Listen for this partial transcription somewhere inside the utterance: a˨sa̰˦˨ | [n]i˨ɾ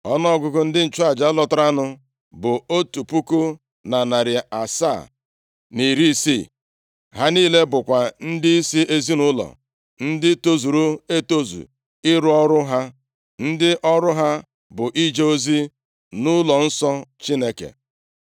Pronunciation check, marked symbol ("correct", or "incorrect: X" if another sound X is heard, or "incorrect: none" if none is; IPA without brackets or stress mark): correct